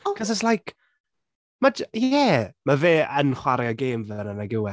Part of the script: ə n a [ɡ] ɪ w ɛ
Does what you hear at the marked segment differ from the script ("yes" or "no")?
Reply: no